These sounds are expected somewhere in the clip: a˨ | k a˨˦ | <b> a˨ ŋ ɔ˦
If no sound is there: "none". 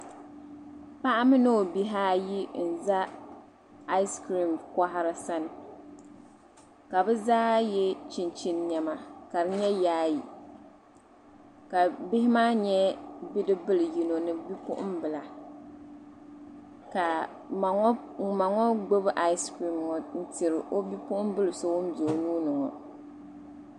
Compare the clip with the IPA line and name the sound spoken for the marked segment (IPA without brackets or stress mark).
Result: m